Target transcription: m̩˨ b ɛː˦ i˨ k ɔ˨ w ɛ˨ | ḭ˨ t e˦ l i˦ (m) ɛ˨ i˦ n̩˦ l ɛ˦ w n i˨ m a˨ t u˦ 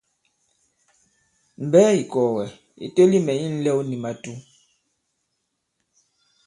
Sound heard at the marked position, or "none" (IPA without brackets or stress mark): m